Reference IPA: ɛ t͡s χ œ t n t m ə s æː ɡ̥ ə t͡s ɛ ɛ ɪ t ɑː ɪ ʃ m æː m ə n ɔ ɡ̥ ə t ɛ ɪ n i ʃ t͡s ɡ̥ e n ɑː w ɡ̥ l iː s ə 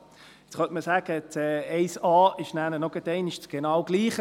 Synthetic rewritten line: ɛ t͡s χ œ n t m ə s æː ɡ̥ ə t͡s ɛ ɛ ɪ s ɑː ɪ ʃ n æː n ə n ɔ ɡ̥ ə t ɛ ɪ n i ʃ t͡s ɡ̥ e n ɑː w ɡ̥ l iː χ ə